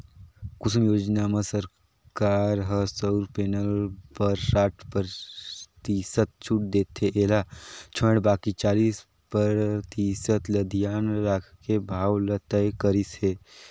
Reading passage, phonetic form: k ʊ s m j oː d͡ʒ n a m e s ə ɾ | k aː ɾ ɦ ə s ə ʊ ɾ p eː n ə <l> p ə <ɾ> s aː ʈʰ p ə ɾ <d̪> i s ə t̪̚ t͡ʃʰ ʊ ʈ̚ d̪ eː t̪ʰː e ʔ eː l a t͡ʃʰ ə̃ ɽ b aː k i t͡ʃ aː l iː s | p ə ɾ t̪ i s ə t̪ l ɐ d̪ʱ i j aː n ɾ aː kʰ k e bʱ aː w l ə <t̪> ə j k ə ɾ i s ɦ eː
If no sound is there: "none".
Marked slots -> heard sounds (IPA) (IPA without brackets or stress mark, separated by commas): l, ɾ, t̪, t̪